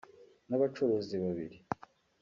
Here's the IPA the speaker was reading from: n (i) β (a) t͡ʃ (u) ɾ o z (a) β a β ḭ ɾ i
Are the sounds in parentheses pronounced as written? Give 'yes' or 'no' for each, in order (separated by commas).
no, yes, no, no